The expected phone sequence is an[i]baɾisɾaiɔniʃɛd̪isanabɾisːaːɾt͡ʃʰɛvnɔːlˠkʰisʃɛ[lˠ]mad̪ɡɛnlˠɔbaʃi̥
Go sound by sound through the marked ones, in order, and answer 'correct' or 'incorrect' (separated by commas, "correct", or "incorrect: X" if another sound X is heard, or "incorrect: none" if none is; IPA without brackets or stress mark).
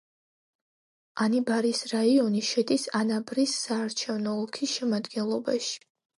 correct, incorrect: none